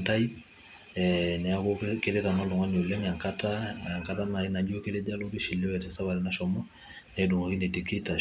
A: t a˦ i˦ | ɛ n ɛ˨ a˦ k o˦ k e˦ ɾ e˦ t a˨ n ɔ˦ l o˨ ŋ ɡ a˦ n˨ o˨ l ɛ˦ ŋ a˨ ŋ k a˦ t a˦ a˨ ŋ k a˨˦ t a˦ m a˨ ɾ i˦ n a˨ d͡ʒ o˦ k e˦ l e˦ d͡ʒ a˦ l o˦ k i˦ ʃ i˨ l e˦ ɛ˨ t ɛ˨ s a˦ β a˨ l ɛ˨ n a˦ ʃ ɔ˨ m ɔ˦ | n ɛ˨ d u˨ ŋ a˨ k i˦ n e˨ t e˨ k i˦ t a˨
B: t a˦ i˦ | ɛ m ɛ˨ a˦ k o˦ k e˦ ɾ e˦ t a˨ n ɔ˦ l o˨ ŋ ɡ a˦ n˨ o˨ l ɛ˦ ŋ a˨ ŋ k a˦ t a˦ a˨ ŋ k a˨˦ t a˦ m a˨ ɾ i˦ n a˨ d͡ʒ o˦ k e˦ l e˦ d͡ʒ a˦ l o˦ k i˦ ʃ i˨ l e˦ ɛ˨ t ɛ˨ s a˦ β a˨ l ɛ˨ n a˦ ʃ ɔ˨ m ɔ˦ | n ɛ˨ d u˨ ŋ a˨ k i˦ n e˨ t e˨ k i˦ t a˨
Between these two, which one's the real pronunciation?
A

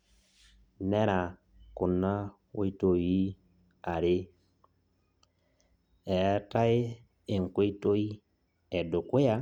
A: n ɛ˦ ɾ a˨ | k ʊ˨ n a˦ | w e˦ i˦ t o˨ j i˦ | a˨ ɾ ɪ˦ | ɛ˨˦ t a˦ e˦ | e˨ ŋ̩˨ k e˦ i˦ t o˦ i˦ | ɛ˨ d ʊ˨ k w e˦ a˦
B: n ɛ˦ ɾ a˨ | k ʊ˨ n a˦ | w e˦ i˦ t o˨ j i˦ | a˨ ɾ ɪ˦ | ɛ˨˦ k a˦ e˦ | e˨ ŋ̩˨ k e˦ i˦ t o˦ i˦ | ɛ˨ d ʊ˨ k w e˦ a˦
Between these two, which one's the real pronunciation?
A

